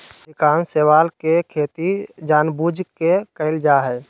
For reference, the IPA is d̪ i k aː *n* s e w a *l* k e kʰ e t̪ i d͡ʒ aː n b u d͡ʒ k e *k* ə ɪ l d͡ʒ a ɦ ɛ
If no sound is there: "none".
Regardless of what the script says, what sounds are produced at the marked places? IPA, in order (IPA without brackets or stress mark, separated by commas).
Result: n, l, k